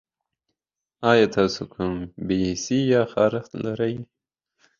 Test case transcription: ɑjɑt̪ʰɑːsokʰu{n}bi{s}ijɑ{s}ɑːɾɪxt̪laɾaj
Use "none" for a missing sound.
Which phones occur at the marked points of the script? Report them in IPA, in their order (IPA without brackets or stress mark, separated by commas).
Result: m, s, x